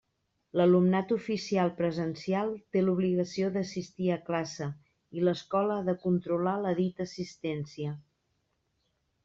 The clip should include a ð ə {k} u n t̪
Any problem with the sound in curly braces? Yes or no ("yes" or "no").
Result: no